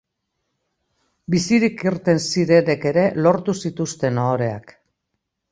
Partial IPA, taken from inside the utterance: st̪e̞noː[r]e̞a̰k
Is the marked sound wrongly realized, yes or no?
yes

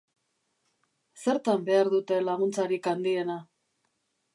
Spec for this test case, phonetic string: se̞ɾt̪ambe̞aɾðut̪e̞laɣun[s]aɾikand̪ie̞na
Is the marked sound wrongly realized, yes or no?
yes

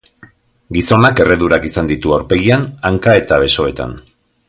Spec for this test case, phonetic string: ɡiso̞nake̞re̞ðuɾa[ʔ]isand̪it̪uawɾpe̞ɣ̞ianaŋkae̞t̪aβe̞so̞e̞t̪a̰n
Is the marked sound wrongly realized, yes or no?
yes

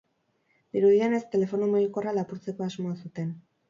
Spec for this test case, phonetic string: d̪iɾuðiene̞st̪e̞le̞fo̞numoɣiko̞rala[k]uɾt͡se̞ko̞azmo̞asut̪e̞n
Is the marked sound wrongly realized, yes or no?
yes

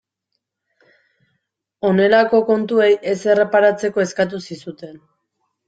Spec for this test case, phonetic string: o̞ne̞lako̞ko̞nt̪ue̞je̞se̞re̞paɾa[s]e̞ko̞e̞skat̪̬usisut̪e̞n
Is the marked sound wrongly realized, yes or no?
yes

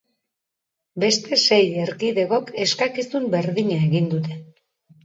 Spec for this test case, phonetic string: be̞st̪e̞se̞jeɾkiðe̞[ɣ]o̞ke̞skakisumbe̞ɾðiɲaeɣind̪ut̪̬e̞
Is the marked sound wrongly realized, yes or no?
no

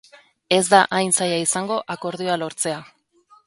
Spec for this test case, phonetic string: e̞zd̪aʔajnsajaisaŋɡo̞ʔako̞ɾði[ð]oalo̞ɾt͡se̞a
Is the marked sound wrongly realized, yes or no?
yes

